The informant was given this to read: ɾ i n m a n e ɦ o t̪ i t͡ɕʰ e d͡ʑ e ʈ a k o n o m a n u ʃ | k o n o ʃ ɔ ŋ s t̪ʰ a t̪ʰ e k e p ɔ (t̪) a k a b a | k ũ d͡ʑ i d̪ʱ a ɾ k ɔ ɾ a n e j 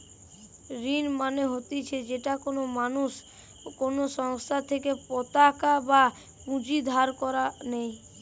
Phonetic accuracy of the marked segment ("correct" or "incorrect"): correct